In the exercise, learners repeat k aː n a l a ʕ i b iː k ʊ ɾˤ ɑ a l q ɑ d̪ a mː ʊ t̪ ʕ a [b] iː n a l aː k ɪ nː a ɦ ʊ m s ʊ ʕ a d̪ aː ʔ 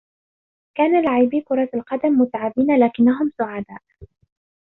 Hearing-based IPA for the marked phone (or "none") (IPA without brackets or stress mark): b